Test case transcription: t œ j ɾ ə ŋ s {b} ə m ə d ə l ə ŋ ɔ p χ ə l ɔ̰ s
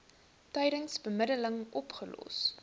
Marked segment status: correct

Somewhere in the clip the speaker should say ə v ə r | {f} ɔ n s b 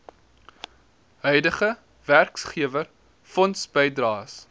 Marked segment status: correct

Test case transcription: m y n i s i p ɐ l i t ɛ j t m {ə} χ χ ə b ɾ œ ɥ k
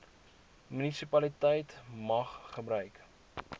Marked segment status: incorrect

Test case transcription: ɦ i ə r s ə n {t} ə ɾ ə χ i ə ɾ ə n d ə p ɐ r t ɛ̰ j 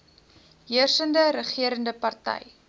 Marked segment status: incorrect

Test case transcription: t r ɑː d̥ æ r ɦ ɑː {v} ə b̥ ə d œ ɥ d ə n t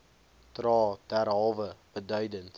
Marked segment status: correct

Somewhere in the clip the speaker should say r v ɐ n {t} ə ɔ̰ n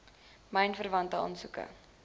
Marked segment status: correct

